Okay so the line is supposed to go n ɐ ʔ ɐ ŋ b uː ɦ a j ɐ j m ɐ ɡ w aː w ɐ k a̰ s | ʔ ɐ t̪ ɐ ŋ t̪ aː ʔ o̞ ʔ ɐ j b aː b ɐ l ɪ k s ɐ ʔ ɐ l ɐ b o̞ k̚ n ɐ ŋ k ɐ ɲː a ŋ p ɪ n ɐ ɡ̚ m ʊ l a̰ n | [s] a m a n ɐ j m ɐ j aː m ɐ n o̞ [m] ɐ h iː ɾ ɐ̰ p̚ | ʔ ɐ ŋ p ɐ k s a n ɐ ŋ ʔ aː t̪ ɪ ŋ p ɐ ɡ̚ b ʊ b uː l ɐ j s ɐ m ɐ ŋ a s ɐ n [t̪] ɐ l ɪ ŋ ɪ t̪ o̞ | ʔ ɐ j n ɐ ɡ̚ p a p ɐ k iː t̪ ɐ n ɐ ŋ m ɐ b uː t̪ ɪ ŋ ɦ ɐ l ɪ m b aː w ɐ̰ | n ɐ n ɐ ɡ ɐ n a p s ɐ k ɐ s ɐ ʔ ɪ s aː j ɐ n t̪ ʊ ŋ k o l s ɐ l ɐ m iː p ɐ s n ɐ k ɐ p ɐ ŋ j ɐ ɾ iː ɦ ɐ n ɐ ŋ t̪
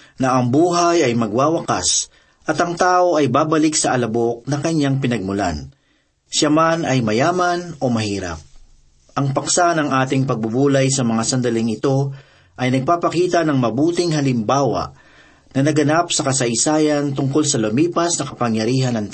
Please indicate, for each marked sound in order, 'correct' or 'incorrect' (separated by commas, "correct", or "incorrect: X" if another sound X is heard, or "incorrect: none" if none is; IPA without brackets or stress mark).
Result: incorrect: ʃ, correct, incorrect: d̪